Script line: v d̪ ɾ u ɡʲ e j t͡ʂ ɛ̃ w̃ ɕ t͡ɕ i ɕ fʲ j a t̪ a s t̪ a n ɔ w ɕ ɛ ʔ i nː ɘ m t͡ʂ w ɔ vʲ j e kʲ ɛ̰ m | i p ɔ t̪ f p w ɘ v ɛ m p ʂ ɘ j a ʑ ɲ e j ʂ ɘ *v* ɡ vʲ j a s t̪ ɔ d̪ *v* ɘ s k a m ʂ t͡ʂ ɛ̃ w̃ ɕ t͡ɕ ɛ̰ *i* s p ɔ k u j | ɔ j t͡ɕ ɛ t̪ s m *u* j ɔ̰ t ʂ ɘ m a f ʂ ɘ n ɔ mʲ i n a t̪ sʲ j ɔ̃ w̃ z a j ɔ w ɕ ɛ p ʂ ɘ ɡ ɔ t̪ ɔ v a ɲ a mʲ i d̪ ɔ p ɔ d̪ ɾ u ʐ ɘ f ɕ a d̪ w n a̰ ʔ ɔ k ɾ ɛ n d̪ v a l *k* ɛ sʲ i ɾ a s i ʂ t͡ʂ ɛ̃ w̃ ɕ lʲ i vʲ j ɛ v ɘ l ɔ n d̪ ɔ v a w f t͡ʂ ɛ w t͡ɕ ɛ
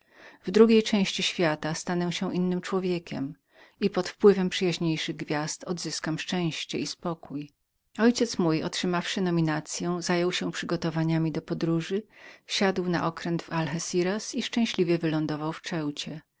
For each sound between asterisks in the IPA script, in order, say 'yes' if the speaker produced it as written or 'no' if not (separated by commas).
no, no, yes, yes, no